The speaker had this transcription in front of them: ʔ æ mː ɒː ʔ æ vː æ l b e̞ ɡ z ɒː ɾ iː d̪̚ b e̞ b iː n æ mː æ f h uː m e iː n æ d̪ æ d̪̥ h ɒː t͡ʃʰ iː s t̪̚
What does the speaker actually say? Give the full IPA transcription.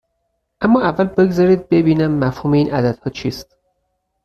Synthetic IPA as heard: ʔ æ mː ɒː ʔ æ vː æ l b e̞ ɡ z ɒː ɾ iː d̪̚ b e̞ b iː n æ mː æ f h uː m e iː n æ d̪ æ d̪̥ h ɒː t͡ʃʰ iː s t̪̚